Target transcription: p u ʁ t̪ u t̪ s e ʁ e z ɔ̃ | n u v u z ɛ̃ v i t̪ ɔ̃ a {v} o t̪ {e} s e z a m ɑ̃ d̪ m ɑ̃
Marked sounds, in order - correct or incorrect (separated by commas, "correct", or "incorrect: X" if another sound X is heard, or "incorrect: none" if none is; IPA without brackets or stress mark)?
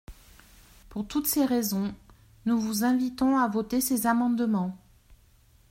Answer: correct, correct